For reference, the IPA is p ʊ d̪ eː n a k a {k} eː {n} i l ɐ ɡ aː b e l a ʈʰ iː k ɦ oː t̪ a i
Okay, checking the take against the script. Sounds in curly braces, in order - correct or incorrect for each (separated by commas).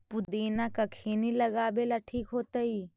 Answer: incorrect, correct